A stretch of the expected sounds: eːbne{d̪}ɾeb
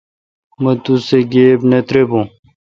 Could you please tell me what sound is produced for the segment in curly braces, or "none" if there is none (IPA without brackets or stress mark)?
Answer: t̪